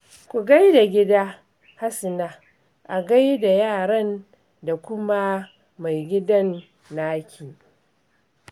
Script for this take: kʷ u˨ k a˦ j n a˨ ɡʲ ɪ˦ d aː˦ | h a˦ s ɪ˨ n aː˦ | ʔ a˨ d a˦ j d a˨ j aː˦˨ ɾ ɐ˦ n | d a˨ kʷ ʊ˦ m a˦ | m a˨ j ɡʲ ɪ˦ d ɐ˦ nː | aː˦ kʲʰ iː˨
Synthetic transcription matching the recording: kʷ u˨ ɡ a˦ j d a˨ ɡʲ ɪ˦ d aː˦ | h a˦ s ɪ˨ n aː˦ | ʔ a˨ ɡ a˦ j d a˨ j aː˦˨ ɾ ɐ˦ n | d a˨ kʷ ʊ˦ m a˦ | m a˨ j ɡʲ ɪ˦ d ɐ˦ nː | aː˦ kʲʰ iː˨